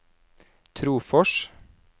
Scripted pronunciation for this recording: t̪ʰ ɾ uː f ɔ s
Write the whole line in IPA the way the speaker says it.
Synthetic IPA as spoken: t̪ʰ ɾ uː f ɔ ʃ